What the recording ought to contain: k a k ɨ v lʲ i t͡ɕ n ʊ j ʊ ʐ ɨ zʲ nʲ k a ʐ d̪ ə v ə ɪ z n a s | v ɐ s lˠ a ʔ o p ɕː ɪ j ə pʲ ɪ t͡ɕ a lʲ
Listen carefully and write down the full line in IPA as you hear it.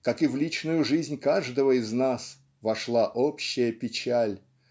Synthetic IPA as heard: k a k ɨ v lʲ i t͡ɕ n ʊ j ʊ ʐ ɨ zʲ nʲ k a ʐ d̪ ə v ə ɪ z n a s | v ɐ ʂ lˠ a ʔ o p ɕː ɪ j ə pʲ ɪ t͡ɕ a lʲ